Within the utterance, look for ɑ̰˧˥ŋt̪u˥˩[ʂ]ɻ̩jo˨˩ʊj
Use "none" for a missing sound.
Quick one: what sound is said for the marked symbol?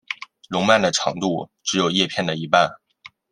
ʈ͡ʂ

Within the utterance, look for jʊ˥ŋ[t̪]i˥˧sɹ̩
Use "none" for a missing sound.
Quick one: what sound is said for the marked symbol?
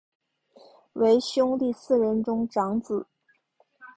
t̪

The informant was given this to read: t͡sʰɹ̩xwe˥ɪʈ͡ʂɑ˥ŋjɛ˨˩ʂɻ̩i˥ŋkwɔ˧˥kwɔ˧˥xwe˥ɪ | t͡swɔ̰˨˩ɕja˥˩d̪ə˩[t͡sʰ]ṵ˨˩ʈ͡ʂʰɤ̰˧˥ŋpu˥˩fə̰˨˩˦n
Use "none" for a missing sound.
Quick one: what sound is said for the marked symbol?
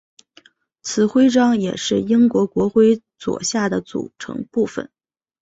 t͡s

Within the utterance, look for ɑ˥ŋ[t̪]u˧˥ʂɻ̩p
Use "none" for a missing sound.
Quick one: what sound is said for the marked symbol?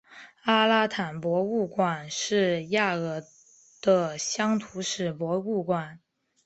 t̪ʰ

